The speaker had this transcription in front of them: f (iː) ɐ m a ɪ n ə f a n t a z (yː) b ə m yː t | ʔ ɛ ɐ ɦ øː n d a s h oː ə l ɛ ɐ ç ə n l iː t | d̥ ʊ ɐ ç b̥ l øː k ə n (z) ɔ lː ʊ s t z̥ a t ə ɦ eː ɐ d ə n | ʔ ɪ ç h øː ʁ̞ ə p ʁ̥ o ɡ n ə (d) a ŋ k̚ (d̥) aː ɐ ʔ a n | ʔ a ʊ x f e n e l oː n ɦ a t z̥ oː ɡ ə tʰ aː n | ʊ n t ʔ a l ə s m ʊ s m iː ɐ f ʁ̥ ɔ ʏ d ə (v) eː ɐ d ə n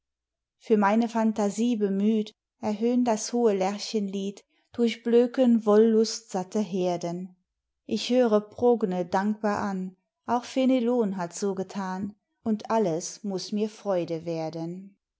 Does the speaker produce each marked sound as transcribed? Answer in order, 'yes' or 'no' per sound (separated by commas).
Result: no, no, no, yes, no, yes